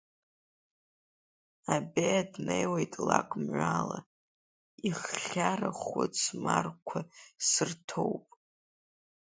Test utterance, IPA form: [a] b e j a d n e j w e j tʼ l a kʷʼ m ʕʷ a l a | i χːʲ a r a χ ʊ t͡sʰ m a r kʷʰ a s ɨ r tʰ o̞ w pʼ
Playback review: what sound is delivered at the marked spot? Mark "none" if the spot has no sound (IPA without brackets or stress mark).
a